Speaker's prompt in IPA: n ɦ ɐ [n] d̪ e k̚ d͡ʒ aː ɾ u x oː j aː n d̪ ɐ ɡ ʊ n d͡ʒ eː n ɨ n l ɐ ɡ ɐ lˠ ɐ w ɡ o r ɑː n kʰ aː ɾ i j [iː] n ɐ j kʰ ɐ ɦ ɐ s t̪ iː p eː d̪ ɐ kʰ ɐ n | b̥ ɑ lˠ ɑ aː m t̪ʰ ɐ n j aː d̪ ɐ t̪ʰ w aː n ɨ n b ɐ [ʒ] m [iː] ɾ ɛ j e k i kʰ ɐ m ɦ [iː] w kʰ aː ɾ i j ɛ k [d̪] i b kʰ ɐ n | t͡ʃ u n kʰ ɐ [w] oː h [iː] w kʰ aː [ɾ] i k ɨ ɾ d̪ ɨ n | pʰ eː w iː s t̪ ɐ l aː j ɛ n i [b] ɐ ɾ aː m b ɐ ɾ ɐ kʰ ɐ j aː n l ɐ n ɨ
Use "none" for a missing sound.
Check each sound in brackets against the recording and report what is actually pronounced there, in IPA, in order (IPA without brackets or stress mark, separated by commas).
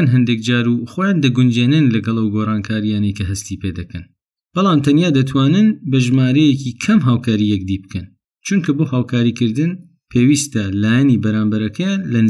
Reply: n, aː, ʒ, aː, aː, d̪, b, aː, ɾ, b